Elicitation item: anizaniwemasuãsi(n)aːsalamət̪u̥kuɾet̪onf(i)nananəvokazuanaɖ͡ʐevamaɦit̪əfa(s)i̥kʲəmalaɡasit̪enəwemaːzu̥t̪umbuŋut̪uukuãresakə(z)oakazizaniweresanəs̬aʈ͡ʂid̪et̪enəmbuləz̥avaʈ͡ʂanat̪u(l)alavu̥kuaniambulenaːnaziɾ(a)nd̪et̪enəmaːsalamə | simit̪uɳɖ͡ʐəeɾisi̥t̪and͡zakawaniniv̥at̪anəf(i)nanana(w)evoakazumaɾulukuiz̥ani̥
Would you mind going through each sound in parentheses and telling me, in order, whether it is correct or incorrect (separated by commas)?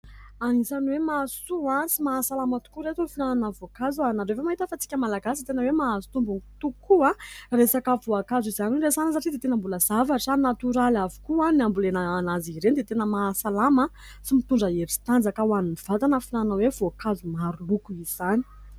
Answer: incorrect, correct, incorrect, incorrect, incorrect, incorrect, correct, correct